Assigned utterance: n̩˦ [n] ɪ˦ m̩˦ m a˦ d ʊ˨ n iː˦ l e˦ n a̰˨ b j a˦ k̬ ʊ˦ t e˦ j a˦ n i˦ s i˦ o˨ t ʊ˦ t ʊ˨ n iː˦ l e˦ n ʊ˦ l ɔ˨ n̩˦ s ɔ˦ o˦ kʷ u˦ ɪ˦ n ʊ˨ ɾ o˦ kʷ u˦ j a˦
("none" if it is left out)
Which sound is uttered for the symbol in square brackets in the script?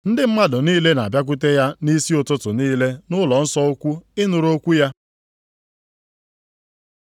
d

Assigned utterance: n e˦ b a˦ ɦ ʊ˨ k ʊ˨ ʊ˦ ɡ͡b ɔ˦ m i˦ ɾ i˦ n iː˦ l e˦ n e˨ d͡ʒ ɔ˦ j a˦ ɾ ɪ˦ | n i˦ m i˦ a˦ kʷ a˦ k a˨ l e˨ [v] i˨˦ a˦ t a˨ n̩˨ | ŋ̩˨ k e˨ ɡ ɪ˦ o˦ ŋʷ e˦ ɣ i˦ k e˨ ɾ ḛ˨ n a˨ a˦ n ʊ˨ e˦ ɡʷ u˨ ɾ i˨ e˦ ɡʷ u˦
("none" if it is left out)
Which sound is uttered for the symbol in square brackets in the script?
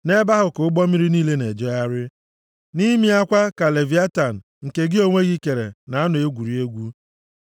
v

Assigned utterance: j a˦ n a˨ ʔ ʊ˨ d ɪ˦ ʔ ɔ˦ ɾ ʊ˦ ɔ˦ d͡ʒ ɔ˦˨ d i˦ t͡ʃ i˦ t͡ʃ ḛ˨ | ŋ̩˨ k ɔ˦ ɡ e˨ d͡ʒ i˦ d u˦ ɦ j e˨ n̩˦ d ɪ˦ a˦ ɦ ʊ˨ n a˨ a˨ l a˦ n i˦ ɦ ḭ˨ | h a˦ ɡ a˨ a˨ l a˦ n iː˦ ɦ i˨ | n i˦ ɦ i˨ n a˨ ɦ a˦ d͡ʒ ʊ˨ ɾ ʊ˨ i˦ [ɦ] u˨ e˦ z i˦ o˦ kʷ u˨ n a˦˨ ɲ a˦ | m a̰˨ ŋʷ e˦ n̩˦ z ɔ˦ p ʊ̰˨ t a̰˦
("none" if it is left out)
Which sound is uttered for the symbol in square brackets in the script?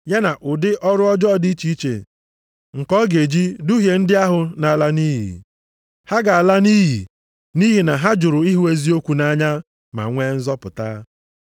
ɦ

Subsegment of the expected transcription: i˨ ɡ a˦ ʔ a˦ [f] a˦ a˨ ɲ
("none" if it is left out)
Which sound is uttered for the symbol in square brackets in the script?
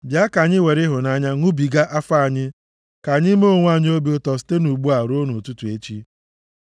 f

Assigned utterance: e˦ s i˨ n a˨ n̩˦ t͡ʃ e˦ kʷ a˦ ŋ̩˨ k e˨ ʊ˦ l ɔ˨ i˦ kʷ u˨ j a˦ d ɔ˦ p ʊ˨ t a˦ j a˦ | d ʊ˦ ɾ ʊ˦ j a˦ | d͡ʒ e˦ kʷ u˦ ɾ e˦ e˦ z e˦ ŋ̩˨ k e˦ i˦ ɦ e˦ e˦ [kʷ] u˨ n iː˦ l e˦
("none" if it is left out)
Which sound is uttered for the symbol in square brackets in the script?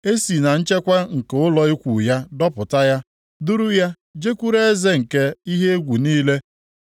ɡʷ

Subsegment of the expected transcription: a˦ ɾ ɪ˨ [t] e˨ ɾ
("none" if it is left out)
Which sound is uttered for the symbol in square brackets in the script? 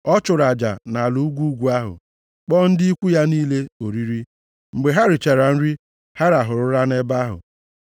t͡ʃ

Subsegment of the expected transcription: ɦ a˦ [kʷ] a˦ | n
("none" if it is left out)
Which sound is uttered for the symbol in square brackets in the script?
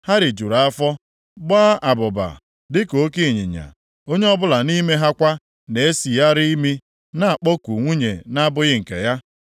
kʷ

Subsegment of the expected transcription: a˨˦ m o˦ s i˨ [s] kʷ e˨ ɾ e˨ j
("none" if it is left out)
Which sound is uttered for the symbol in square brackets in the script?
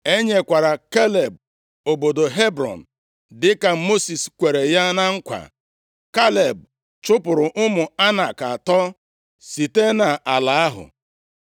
s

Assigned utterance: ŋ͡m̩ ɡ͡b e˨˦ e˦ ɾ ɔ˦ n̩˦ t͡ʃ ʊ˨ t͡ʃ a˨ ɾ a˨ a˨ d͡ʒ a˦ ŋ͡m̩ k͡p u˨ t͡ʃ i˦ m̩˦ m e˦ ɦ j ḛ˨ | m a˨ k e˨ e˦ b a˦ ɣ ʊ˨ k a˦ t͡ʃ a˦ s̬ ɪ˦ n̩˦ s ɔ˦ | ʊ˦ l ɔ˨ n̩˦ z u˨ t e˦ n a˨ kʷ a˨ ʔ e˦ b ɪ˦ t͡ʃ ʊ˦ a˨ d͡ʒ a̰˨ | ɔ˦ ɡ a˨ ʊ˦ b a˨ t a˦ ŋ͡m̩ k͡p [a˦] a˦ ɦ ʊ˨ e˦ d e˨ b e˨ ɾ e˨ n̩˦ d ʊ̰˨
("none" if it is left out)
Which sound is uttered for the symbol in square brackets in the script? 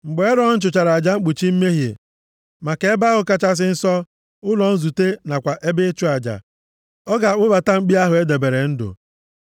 i˦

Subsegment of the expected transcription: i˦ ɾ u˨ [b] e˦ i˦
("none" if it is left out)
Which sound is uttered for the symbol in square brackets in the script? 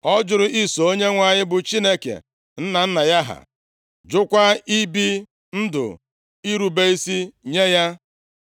b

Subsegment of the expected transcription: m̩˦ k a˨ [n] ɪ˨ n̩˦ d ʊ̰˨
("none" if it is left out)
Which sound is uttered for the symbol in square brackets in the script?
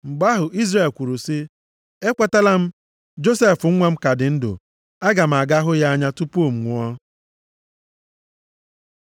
d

